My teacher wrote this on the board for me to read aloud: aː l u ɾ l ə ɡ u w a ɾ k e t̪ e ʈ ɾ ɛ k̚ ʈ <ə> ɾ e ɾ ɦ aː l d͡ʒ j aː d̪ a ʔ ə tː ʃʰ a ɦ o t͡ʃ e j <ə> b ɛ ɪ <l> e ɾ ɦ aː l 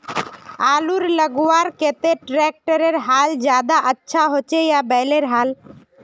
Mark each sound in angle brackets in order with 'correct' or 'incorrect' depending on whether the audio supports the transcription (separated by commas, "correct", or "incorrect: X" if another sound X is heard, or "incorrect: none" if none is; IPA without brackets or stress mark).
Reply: correct, incorrect: a, correct